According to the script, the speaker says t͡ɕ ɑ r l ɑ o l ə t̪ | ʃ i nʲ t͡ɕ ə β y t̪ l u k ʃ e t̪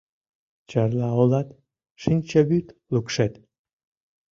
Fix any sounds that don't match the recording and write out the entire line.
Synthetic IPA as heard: t͡ɕ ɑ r l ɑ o l ɑ t̪ | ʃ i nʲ t͡ɕ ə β y t̪ l u k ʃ e t̪